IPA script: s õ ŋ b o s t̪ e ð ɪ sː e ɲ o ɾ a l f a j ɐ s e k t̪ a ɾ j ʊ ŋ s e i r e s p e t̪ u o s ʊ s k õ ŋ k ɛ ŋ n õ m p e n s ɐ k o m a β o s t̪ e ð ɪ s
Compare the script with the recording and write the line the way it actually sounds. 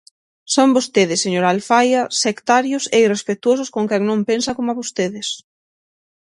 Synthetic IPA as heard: s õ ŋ b o s t̪ e ð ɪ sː e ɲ o ɾ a l f a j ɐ s e k t̪ a ɾ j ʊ s e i r e s p e t̪ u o s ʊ s k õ ŋ k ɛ ŋ n õ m p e n s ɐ k o m a β o s t̪ e ð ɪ s